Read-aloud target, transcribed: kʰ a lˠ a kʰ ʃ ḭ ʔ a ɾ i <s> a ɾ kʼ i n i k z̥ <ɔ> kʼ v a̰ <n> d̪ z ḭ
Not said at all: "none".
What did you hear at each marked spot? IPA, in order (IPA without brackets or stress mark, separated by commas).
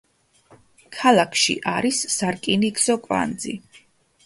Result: sː, ɔ, n